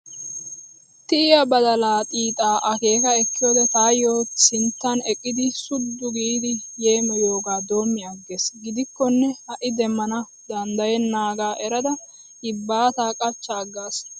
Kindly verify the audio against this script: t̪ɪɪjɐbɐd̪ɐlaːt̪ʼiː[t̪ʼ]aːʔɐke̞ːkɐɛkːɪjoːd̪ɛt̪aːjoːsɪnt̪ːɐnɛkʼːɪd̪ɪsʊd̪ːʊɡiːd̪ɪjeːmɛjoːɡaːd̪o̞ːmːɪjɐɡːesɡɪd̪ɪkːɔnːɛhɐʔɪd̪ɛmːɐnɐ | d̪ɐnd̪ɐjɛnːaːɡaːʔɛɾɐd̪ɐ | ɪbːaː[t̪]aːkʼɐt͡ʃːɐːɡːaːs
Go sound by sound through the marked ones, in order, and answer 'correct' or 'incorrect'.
correct, correct

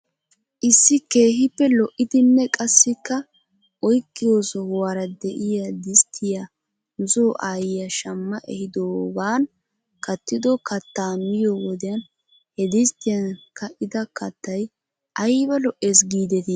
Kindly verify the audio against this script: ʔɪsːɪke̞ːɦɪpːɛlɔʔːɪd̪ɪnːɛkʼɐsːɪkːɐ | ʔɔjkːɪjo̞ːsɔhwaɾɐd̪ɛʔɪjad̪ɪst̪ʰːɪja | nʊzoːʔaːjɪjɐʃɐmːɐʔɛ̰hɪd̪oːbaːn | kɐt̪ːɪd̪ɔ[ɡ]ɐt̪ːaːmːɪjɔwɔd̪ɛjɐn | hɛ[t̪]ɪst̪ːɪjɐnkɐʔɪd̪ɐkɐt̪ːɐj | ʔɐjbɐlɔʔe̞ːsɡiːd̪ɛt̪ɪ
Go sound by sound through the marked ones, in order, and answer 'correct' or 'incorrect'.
incorrect: k, incorrect: d̪

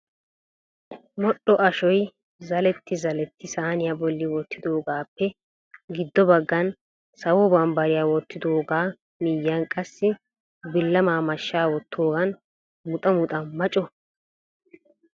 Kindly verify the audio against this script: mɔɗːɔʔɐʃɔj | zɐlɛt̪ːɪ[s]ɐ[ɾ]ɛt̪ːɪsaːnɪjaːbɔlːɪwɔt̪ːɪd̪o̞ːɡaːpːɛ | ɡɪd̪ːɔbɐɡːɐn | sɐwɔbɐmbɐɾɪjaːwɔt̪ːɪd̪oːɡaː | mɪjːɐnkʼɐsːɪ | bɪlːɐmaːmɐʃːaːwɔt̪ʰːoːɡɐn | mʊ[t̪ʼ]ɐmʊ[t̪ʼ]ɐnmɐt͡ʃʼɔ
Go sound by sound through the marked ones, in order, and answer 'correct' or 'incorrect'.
incorrect: z, incorrect: l, correct, correct

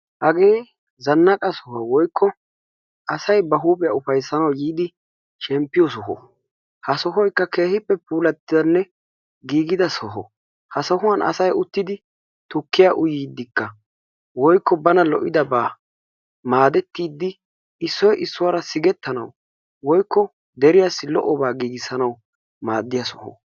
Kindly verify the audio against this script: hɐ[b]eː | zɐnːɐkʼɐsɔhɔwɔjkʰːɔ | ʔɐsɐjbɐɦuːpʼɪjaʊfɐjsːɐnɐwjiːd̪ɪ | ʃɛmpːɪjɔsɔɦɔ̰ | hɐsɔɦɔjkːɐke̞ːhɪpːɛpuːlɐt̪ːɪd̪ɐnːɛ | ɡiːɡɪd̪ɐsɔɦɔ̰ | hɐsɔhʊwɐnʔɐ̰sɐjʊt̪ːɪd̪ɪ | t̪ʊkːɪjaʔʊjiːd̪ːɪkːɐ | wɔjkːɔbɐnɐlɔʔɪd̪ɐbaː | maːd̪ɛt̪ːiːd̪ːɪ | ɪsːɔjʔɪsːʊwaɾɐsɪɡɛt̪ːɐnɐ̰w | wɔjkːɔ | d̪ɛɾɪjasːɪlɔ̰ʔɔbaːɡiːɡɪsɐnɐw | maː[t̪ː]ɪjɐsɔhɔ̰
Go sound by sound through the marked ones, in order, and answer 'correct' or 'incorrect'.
incorrect: ɡ, incorrect: d̪ː

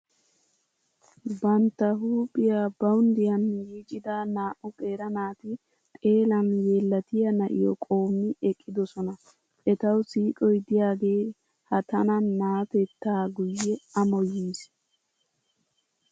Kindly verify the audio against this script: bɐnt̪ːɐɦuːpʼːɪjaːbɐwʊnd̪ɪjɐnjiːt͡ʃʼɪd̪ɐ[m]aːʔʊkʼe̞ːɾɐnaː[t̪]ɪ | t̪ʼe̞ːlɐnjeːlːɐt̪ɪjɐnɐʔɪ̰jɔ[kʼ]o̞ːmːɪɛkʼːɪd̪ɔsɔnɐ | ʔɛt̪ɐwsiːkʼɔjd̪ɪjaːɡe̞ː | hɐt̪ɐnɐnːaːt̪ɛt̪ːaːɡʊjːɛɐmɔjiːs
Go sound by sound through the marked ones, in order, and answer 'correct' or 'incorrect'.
incorrect: n, correct, correct

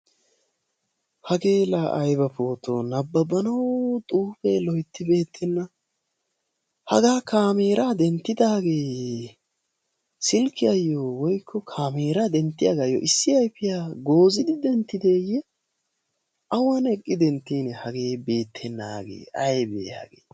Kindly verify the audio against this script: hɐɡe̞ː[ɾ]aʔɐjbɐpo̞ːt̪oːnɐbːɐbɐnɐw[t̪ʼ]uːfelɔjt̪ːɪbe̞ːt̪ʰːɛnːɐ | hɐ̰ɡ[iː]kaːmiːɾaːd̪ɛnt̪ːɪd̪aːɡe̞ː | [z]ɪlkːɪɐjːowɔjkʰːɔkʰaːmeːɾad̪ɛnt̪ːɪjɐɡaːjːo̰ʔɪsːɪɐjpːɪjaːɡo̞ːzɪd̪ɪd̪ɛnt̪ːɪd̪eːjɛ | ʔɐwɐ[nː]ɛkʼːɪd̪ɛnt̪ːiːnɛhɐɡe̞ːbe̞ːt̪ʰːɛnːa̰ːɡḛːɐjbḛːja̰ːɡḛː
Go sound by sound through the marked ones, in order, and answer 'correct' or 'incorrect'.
incorrect: l, correct, incorrect: aː, incorrect: s, incorrect: n

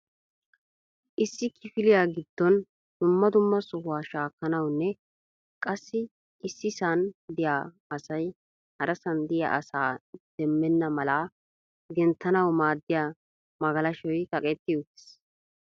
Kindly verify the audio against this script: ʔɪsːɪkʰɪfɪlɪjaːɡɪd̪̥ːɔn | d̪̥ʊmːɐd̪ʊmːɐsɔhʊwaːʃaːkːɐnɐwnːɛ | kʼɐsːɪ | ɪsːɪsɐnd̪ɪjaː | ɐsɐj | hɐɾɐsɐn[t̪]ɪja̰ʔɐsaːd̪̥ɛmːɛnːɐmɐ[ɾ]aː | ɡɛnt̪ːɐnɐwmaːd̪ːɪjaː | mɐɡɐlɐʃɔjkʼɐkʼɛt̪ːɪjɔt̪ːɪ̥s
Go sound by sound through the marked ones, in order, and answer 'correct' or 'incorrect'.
incorrect: d̪, incorrect: l

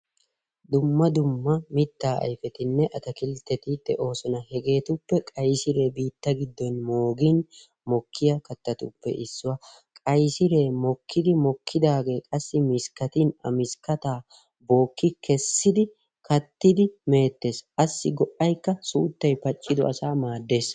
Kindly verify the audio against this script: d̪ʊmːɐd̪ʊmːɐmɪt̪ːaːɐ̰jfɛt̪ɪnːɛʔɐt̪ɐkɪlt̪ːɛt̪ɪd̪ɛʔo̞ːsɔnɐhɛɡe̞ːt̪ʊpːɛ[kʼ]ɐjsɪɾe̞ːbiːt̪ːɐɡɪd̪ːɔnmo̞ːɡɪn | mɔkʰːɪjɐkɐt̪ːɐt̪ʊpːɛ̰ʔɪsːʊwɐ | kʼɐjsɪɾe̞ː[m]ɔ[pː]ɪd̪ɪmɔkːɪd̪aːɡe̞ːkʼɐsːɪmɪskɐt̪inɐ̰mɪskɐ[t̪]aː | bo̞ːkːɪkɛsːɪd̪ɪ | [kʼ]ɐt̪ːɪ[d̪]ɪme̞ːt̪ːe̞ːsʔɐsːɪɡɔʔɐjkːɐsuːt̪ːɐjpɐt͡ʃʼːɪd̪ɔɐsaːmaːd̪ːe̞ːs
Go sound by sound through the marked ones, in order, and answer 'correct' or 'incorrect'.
correct, correct, incorrect: kː, correct, incorrect: k, correct

